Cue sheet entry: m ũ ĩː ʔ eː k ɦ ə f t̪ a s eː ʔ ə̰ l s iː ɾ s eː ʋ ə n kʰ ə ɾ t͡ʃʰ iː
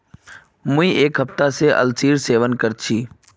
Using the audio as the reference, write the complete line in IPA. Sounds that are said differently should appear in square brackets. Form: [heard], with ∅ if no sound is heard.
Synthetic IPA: m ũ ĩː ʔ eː k ɦ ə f t̪ a s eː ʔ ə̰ l s iː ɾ s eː ʋ ə n [k] ə ɾ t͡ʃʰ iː